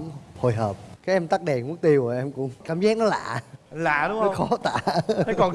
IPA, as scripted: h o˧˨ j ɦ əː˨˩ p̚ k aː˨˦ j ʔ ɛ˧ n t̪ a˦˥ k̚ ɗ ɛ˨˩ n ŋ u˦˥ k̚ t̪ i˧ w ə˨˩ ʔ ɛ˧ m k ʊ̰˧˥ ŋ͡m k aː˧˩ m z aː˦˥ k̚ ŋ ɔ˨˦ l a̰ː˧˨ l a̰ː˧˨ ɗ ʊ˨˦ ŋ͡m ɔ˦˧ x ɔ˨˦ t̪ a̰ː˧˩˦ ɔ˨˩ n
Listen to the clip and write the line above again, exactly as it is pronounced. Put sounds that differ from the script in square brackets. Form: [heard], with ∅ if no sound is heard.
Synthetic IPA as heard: h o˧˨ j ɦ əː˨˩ p̚ k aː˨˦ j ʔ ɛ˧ [m] t̪ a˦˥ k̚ ɗ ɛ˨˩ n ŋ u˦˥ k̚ t̪ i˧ w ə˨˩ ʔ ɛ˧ m k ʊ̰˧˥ ŋ͡m k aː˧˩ m z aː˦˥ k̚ [n] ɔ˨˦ l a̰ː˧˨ l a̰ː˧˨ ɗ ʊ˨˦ ŋ͡m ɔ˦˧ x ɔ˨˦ t̪ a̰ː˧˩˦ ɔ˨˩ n

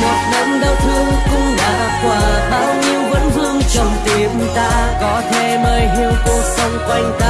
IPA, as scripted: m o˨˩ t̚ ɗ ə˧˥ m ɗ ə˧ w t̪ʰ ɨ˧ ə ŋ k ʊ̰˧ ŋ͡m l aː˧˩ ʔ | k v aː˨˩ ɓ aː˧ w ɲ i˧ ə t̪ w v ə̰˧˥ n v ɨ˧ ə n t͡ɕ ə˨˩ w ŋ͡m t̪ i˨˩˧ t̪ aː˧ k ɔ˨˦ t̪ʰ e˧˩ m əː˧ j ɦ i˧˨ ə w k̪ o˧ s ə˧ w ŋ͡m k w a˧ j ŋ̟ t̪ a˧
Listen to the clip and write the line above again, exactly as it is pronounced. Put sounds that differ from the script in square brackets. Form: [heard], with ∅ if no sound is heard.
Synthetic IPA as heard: m o˨˩ t̚ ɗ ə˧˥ m ɗ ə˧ w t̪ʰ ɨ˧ ə ŋ k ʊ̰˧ ŋ͡m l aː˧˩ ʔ | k [w] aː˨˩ ɓ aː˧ w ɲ i˧ ə [∅] w v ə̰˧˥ n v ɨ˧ ə [ŋ] t͡ɕ ə˨˩ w ŋ͡m t̪ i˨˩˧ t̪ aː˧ k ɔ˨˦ t̪ʰ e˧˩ m əː˧ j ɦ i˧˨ ə w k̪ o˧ s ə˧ w ŋ͡m k w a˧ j ŋ̟ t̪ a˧

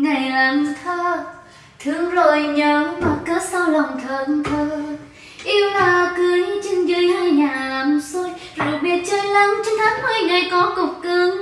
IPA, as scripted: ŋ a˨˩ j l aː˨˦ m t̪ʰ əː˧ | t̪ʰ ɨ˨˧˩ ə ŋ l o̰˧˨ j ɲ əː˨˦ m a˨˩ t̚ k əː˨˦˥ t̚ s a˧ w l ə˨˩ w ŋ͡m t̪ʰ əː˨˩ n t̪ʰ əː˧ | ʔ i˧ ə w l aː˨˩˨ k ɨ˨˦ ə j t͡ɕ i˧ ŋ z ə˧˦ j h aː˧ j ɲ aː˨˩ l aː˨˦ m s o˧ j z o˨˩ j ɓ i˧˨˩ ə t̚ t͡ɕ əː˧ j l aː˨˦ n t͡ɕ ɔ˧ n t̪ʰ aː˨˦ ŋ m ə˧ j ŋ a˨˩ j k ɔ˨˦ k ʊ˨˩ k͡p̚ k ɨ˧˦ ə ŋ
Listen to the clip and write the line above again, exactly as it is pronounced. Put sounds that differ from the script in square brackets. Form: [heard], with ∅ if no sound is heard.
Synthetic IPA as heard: ŋ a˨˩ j l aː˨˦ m t̪ʰ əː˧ | t̪ʰ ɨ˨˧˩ ə ŋ l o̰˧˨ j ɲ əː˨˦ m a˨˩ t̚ k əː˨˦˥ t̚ s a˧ w l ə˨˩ w ŋ͡m t̪ʰ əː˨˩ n t̪ʰ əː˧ | ʔ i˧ ə w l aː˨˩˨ k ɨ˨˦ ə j t͡ɕ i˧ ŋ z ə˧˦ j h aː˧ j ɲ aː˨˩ l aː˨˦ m s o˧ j z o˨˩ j ɓ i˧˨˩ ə t̚ t͡ɕ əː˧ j l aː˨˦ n t͡ɕ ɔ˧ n t̪ʰ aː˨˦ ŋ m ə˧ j ŋ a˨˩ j k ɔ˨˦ k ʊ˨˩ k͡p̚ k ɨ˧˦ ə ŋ

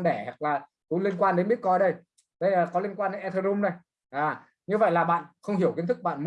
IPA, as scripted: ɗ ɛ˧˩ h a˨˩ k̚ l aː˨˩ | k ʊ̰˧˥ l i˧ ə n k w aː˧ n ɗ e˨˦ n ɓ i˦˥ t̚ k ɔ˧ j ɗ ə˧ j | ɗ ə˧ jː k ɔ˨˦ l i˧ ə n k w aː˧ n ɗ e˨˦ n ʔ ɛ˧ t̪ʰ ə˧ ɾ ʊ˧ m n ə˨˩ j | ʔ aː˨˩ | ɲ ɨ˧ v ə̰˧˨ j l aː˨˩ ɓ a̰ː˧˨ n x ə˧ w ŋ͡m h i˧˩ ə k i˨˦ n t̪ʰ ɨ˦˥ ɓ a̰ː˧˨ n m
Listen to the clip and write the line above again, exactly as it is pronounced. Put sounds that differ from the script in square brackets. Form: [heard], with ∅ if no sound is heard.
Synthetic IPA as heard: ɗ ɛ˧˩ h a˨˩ k̚ l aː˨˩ | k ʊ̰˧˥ l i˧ ə n k w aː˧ n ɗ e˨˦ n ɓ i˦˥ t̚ k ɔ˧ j ɗ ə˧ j | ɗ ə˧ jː k ɔ˨˦ l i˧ ə n k w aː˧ n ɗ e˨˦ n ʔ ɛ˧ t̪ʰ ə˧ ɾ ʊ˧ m n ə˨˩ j | ʔ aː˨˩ | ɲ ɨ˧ v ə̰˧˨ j l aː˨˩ ɓ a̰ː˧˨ n x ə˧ w ŋ͡m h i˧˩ ə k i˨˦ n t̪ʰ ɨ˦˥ ɓ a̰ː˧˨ n m

